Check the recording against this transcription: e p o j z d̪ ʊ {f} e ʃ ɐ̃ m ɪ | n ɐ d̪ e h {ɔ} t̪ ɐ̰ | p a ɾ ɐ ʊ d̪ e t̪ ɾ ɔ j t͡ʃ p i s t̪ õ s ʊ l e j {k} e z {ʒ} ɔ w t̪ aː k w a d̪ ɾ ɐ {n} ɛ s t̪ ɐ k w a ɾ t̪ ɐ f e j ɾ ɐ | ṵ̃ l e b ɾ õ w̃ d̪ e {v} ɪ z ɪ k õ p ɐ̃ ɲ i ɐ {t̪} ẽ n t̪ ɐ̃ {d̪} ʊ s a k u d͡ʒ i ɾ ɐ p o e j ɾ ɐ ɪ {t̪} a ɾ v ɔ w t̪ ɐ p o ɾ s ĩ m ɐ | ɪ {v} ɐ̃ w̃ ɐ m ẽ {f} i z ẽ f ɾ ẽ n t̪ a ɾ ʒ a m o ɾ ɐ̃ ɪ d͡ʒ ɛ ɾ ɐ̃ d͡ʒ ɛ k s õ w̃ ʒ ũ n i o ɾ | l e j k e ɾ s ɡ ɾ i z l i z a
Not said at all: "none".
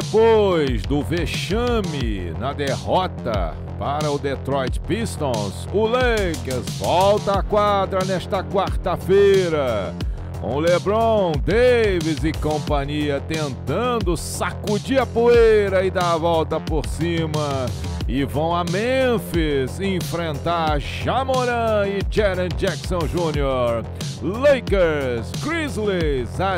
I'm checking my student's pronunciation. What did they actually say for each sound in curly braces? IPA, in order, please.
v, ɔ, k, v, n, v, t̪, d̪, d̪, v, f

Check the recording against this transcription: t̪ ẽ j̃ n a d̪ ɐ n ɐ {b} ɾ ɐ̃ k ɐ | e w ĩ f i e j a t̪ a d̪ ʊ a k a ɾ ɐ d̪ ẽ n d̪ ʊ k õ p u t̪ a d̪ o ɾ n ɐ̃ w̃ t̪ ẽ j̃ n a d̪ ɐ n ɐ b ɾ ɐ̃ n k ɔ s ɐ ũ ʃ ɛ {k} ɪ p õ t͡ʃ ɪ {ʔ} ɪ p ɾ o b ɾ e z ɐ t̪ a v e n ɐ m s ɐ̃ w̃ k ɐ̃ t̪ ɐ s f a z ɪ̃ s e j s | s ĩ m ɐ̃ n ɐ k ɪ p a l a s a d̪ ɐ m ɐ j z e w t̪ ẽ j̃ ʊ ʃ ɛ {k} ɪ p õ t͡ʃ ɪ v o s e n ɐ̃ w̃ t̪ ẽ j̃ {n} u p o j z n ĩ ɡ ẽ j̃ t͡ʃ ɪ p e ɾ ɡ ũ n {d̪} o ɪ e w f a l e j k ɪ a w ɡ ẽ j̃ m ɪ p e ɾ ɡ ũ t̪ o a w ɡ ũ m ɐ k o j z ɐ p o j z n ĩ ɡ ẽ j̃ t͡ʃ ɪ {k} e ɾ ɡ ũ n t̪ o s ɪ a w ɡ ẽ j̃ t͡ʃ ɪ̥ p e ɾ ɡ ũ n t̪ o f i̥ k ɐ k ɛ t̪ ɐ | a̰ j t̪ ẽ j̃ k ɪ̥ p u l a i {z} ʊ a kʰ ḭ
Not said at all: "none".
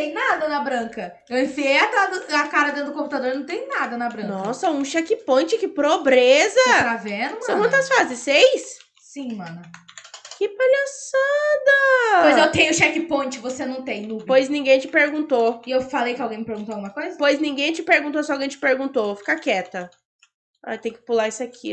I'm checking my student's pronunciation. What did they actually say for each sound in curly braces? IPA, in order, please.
b, k, k, k, n, t̪, p, s

